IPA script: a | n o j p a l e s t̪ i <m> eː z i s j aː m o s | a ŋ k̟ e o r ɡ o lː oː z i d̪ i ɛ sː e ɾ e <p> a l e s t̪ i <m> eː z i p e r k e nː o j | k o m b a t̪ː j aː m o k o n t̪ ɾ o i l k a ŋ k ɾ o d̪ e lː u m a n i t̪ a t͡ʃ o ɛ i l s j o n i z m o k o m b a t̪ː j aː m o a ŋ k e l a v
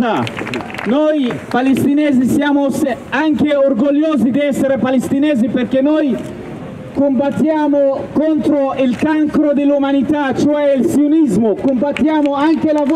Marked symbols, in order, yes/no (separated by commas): no, yes, no